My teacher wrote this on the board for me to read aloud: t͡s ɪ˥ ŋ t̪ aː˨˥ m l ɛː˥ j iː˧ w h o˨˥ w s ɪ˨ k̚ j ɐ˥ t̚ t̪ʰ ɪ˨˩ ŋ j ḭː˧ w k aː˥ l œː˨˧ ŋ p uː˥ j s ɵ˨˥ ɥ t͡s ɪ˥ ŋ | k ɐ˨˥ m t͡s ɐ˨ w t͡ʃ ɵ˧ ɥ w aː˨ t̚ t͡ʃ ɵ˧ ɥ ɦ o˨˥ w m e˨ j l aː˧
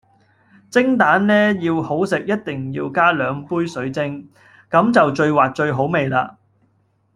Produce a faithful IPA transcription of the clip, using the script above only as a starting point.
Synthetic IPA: t͡s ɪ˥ ŋ t̪ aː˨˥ n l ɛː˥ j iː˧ w h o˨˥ w s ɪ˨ k̚ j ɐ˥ t̚ t̪ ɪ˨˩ ŋ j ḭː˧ w k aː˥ l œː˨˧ ŋ p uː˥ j s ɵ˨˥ ɥ t͡s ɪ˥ ŋ | k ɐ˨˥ m t͡s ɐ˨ w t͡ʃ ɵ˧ ɥ w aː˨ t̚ t͡ʃ ɵ˧ ɥ ɦ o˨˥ w m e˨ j l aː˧